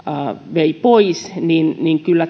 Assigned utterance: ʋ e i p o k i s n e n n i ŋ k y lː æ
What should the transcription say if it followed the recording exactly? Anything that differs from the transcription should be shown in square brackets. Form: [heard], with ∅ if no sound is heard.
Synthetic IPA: ʋ e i p o [∅] i s n [i] n n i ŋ k y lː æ